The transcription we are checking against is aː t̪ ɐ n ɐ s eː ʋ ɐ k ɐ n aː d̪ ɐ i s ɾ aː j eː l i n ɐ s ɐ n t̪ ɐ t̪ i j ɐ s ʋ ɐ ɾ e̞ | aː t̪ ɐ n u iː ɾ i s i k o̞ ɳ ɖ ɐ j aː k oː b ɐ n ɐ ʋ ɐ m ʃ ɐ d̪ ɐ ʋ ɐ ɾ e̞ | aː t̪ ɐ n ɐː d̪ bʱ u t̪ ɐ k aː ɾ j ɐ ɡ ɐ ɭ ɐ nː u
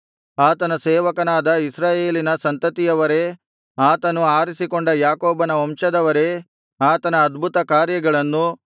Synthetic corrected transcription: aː t̪ ɐ n ɐ s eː ʋ ɐ k ɐ n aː d̪ ɐ i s ɾ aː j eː l i n ɐ s ɐ n t̪ ɐ t̪ i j ɐ ʋ ɐ ɾ e̞ | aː t̪ ɐ n u aː ɾ i s i k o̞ ɳ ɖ ɐ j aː k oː b ɐ n ɐ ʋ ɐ m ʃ ɐ d̪ ɐ ʋ ɐ ɾ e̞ | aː t̪ ɐ n ɐː d̪ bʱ u t̪ ɐ k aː ɾ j ɐ ɡ ɐ ɭ ɐ nː u